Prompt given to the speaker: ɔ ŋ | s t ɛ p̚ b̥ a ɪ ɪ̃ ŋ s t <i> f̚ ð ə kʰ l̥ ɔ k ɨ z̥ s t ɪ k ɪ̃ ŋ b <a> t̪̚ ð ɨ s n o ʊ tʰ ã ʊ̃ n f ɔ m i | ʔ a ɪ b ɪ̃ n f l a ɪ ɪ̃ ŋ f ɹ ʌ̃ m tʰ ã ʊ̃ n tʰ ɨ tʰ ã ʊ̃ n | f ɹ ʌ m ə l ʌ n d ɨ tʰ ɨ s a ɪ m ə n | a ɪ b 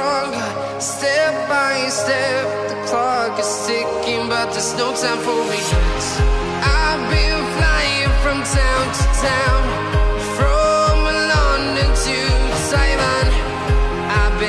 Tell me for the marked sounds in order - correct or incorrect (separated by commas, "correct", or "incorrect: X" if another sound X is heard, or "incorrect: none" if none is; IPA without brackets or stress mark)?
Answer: incorrect: ɛ, incorrect: ʌ